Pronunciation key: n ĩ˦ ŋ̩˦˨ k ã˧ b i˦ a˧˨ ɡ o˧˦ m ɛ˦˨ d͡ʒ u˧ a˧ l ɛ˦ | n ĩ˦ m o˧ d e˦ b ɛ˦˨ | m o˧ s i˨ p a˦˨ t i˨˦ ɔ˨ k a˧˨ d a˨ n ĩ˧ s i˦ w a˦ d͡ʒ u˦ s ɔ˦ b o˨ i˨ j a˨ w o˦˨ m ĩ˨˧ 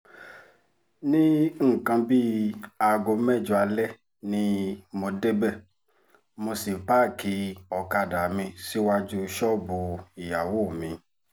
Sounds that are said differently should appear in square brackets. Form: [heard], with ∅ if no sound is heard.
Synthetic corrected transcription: n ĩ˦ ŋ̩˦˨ k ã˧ b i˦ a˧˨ ɡ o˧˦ m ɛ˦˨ d͡ʒ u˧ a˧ l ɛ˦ | n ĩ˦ m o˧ d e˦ b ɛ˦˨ | m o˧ s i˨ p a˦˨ [k] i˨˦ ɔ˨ k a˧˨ d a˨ [m] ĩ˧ s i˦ w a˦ d͡ʒ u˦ [ʃ] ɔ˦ b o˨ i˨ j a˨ w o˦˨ m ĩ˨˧